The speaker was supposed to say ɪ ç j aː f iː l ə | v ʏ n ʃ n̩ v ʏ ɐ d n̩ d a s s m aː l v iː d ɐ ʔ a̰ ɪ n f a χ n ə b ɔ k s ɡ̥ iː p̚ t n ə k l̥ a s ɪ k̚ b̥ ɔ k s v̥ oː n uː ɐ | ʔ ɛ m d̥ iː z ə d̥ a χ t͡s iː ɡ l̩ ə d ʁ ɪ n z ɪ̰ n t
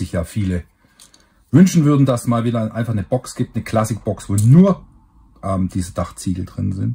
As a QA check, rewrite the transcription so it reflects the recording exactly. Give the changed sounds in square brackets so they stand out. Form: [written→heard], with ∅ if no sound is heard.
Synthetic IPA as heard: ɪ ç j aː f iː l ə | v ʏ n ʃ n̩ v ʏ ɐ d n̩ d a s s m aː l v iː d ɐ ʔ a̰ ɪ n f a χ n ə b ɔ k s ɡ̥ iː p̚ t n ə k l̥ a s ɪ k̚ b̥ ɔ k s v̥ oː n uː ɐ | ʔ ɛ m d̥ iː z ə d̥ a χ t͡s iː ɡ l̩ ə d ʁ ɪ n z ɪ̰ n t